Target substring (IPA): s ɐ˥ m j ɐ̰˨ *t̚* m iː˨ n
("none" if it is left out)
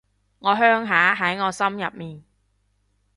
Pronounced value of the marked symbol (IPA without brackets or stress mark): p̚